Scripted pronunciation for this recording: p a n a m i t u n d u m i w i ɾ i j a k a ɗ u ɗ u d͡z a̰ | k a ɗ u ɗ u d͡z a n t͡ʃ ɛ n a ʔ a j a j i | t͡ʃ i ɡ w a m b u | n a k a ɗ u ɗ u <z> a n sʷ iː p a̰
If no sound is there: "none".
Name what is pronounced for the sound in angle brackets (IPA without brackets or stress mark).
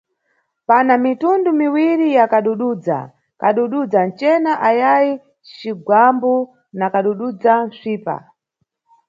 d͡z